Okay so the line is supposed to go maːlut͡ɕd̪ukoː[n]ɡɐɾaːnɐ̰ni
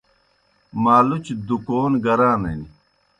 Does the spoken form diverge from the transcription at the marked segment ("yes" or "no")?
no